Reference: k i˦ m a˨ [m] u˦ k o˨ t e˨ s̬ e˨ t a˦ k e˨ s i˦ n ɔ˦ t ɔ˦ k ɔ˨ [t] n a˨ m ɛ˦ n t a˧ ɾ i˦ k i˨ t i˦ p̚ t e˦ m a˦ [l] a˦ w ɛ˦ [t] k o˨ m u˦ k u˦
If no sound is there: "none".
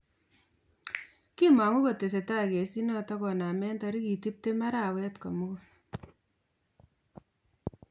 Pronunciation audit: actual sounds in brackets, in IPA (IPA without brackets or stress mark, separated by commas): ŋ, none, ɾ, t